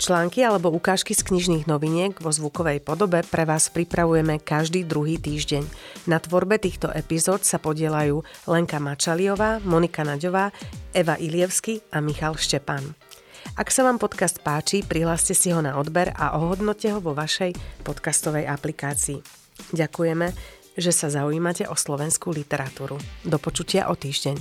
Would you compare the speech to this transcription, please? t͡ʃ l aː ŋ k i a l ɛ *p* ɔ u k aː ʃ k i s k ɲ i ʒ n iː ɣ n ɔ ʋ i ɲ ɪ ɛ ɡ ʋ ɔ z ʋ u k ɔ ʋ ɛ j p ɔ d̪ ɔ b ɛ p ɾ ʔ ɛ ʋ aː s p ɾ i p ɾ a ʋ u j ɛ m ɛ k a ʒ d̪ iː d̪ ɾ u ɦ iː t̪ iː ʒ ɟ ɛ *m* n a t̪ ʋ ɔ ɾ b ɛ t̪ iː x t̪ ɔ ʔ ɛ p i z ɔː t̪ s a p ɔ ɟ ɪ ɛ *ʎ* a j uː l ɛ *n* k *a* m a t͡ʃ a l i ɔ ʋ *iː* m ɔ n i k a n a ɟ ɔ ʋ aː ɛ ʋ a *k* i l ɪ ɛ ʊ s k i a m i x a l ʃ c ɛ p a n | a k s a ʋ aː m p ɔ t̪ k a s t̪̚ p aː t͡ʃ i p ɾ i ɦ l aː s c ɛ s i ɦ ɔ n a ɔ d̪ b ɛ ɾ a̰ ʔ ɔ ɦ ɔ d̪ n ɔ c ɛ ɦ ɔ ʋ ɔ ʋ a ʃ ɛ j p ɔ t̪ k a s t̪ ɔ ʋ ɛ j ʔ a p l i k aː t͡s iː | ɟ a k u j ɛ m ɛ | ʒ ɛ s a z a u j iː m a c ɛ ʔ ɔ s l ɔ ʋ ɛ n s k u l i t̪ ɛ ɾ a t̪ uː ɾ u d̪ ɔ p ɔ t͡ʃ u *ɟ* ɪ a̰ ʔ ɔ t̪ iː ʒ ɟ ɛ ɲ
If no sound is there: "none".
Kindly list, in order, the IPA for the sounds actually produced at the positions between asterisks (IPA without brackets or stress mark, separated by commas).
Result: b, ɲ, l, ŋ, a, aː, ʔ, c